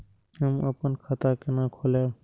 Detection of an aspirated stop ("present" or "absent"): present